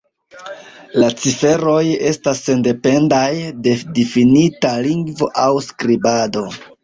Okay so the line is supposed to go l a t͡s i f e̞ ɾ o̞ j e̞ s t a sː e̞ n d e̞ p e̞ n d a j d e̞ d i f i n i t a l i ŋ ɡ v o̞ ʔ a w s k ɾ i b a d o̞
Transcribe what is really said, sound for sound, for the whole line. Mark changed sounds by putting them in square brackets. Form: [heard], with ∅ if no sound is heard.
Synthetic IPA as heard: l a t͡s i f e̞ ɾ o̞ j e̞ s t a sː e̞ n d e̞ p e̞ n d a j d e̞ d i f i n i t a l i ŋ ɡ v o̞ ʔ a w s k ɾ i b a d o̞